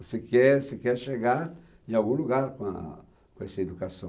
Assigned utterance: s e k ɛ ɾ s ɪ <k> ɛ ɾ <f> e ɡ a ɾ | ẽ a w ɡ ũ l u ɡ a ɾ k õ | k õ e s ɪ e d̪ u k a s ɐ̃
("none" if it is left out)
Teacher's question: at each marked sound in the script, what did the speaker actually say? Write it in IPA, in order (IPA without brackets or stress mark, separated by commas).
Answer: k, ʃ